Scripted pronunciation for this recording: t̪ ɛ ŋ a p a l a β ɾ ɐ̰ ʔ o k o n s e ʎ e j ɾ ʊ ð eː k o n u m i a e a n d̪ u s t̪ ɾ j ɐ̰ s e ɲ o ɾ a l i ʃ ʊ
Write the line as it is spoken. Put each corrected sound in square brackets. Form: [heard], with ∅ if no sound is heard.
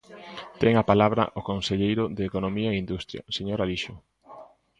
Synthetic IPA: t̪ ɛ ŋ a p a l a β ɾ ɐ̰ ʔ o k o n s e ʎ e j ɾ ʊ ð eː k o n [o] m i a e [i] n d̪ u s t̪ ɾ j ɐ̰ s e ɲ o ɾ a l i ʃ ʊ